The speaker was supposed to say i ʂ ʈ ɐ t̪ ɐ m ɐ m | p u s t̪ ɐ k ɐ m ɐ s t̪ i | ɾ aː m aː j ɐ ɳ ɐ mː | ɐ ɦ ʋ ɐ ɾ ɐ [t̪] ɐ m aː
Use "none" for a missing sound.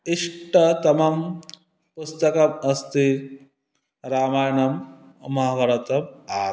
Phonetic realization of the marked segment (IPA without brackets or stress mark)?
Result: t̪